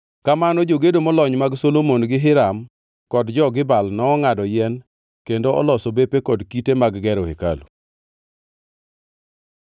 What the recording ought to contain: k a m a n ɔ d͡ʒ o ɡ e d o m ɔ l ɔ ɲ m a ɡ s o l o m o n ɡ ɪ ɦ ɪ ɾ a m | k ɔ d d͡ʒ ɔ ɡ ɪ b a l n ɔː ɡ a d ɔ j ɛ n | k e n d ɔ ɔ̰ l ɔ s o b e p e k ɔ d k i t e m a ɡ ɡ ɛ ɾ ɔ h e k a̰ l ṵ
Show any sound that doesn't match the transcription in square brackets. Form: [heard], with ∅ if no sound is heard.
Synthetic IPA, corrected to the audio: k a m a n ɔ d͡ʒ o ɡ e d o m ɔ l ɔ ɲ m a ɡ s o l o m o n ɡ ɪ ɦ ɪ ɾ a m | k ɔ d d͡ʒ ɔ ɡ ɪ b a l n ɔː [ŋ] a d ɔ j ɛ n | k e n d [o] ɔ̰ l ɔ s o b e p e k ɔ d k i t e m a ɡ ɡ ɛ ɾ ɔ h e k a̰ l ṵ